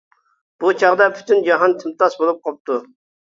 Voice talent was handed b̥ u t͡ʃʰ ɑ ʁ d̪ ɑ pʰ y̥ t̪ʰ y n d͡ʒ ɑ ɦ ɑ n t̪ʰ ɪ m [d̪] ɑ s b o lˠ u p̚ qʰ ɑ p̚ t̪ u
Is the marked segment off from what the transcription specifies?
yes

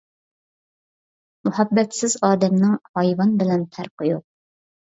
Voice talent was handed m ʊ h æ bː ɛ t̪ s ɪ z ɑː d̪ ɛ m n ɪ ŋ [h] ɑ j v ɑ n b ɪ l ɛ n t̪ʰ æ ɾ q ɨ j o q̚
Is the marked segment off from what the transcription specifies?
no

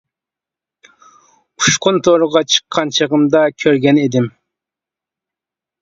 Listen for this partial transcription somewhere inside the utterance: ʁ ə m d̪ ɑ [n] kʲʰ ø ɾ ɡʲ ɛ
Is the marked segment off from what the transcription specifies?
yes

